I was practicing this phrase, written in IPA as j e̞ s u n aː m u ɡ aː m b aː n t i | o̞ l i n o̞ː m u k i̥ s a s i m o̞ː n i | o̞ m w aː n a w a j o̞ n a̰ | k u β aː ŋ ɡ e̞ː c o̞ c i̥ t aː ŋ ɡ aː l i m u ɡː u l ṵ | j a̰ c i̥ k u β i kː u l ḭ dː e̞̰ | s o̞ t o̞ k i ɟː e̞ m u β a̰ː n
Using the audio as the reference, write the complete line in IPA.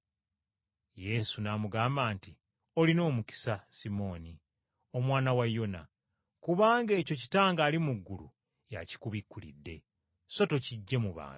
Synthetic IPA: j e̞ s u n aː m u ɡ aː m b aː n t i | o̞ l i n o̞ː m u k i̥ s a s i m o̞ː n i | o̞ m w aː n a w a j o̞ n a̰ | k u β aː ŋ ɡ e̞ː c o̞ c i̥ t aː ŋ ɡ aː l i m u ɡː u l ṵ | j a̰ c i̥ k u β i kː u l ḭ dː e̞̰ | s o̞ t o̞ c i ɟː e̞ m u β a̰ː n